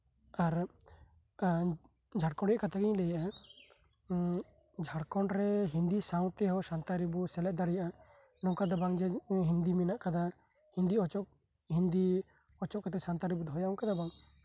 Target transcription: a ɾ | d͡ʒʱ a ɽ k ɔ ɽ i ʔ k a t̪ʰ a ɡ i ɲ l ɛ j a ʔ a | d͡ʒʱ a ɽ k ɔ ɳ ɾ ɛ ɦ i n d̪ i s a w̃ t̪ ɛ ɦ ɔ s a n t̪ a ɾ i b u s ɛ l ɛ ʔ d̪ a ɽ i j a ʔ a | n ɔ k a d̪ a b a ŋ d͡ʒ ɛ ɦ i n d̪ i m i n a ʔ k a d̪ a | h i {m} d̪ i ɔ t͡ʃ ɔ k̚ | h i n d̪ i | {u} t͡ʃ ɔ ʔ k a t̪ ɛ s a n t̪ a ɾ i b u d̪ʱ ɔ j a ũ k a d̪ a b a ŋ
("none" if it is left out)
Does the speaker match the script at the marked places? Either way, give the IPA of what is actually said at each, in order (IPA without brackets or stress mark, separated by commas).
n, ɔ